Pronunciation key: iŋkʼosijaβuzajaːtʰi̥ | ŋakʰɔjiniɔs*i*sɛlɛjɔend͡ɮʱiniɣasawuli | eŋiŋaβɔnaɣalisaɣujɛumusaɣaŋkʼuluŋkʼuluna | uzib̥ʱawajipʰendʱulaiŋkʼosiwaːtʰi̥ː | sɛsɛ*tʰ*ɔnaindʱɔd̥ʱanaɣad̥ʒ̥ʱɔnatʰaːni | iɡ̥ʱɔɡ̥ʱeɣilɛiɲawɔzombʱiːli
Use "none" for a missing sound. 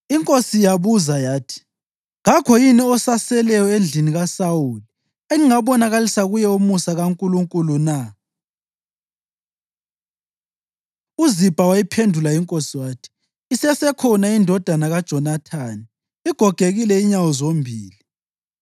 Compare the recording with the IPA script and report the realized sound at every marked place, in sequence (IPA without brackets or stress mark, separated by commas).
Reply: a, kʰ